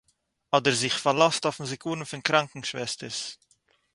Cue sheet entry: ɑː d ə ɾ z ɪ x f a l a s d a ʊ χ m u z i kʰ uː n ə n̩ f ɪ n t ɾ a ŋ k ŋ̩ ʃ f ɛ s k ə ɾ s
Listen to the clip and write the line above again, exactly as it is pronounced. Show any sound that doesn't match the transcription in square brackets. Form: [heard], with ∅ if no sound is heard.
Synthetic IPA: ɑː d ə ɾ z ɪ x f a l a s [t] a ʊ [f] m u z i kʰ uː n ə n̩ f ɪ n [k] ɾ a ŋ k ŋ̩ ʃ [v] ɛ s [t] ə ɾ s